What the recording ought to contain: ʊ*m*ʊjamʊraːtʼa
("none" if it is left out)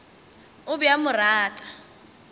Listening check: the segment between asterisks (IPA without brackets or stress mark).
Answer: b